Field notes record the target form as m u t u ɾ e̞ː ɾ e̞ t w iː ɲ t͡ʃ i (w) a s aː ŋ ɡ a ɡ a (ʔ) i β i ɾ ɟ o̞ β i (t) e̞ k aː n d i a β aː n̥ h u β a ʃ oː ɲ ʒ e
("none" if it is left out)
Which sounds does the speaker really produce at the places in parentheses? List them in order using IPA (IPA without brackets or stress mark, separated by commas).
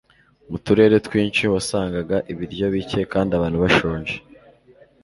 w, ʔ, c